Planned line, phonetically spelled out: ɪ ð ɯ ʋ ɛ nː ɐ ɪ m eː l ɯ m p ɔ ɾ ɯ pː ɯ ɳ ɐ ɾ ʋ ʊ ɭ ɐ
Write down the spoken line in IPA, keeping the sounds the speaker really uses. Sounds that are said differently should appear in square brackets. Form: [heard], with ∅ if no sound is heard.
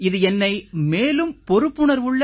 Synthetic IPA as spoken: ɪ ð ɯ [∅] ɛ nː ɐ ɪ m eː l ɯ m p ɔ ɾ ɯ pː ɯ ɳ ɐ ɾ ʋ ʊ [ɭː] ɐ